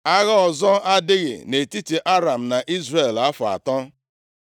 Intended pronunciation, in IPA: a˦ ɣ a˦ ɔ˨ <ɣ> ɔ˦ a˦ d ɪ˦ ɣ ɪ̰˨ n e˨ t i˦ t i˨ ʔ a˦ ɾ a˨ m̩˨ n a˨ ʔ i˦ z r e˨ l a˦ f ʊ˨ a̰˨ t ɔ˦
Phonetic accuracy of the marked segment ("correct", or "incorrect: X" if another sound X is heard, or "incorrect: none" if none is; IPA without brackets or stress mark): incorrect: z